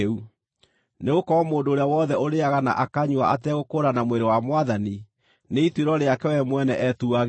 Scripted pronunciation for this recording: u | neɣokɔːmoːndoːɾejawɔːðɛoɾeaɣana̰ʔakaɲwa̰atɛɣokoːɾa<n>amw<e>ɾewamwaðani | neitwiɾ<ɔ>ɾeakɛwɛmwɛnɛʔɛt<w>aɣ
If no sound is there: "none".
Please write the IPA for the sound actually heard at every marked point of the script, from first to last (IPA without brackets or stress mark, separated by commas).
n, e, ɔ, u